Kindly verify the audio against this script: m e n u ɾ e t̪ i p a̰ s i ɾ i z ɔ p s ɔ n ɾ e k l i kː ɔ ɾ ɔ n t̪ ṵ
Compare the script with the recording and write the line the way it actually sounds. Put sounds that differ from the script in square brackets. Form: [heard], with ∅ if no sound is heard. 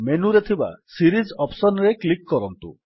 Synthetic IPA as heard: m e n u ɾ e [t̪ʰ] i [b] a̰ s i ɾ i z ɔ p s ɔ n ɾ e k l i kː ɔ ɾ ɔ n t̪ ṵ

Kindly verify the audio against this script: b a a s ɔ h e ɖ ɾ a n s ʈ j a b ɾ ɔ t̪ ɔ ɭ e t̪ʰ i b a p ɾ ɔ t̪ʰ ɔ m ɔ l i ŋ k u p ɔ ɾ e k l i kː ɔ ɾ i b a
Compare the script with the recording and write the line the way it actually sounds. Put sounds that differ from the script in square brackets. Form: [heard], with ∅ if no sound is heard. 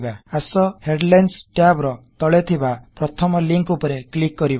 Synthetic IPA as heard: b a a s ɔ h e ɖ [l] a n s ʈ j a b ɾ ɔ t̪ ɔ ɭ e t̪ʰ i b a p ɾ ɔ t̪ʰ ɔ m ɔ l i ŋ k u p ɔ ɾ e k l i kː ɔ ɾ i b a

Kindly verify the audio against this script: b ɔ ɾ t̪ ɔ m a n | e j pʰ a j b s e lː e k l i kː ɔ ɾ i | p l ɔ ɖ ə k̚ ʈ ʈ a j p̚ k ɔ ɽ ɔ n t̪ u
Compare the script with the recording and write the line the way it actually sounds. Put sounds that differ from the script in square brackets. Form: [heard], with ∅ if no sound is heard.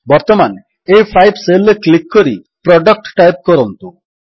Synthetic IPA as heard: b ɔ ɾ t̪ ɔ m a n | e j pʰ a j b s e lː e k l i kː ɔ ɾ i | p [ɾ] ɔ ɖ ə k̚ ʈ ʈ a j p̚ k ɔ [ɾ] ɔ n t̪ u

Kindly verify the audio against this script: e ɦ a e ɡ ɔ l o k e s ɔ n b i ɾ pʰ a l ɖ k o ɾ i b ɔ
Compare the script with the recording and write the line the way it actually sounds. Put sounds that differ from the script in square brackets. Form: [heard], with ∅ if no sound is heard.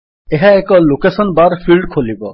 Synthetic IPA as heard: e ɦ a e [k] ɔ l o k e s ɔ n b [a] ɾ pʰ [i] l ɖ [kʰ] o [l] i b ɔ

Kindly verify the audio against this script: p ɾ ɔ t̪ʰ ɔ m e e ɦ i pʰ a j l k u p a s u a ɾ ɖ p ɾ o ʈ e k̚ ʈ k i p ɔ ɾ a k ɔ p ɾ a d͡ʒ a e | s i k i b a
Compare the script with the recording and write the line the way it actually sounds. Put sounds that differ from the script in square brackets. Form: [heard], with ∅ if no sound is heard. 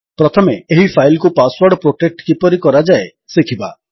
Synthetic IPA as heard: p ɾ ɔ t̪ʰ ɔ m e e ɦ i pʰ a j l k u p a s [w] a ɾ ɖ p ɾ o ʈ e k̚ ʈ k i p ɔ ɾ [i] k ɔ [∅] ɾ a d͡ʒ a e | s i [kʰ] i b a

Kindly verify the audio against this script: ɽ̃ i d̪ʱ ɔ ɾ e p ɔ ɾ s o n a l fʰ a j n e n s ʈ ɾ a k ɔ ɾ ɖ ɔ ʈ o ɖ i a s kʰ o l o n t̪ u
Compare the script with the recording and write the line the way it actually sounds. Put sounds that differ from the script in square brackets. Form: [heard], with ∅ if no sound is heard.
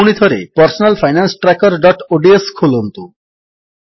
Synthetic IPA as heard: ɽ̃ i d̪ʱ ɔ ɾ e p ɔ ɾ s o n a l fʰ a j n [a] n s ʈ ɾ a k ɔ ɾ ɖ ɔ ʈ o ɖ i [e] s kʰ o l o n t̪ u

